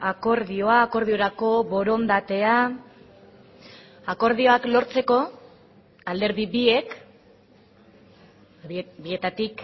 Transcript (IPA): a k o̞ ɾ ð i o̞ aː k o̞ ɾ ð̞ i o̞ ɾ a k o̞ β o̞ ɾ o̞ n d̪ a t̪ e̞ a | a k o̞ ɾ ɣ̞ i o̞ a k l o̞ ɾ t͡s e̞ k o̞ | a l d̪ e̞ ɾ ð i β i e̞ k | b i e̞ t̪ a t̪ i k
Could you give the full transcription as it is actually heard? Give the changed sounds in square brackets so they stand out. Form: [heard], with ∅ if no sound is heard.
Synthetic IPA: a k o̞ ɾ ð i o̞ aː k o̞ ɾ ð̞ i o̞ ɾ a k o̞ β o̞ ɾ o̞ n d̪ a t̪ e̞ a | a k o̞ ɾ [ð̞] i o̞ a k l o̞ ɾ t͡s e̞ k o̞ | a l d̪ e̞ ɾ ð i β i e̞ k | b i e̞ t̪ a t̪ i k